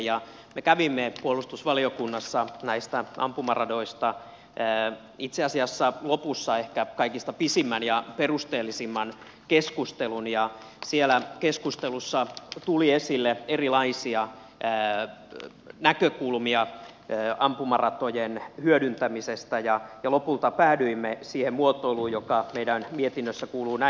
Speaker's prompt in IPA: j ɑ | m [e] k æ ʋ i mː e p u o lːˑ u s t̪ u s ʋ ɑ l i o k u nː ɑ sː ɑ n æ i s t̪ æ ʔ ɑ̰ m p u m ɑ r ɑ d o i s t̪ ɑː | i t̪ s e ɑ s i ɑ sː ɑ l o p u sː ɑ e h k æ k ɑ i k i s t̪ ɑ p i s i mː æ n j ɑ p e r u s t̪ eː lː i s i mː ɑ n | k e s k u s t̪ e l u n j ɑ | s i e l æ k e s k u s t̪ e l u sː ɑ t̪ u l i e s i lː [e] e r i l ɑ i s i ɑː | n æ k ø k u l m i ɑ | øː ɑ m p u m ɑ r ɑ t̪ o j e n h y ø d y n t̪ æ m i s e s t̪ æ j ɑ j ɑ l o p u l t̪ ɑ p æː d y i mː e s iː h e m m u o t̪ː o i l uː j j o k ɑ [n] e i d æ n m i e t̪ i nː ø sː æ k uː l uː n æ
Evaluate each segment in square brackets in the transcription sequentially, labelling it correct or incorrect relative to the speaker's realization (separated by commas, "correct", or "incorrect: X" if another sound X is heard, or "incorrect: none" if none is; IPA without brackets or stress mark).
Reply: correct, correct, incorrect: m